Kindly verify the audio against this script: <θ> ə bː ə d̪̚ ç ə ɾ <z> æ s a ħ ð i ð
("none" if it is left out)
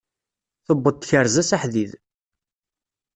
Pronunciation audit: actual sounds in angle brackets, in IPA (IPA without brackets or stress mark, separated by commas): θ, z